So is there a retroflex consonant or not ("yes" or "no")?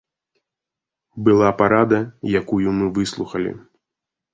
no